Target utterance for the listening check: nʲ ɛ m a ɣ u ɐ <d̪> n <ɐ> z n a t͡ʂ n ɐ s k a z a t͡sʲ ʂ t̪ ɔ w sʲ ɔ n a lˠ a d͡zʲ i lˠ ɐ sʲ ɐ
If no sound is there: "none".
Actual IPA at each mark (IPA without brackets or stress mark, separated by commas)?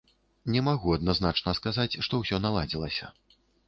d̪, a